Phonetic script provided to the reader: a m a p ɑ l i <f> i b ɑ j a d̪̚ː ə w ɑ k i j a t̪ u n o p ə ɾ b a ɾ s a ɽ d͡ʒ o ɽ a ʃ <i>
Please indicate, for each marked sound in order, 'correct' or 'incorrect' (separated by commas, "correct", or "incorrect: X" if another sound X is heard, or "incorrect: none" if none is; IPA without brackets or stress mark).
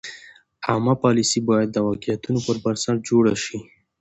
incorrect: s, correct